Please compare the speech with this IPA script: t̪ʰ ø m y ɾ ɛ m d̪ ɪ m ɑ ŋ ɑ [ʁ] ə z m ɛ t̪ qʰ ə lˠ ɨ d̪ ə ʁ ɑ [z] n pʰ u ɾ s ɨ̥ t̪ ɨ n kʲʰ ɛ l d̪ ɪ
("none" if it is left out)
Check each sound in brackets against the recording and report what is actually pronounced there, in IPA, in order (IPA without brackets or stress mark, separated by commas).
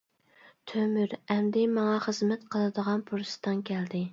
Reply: χ, none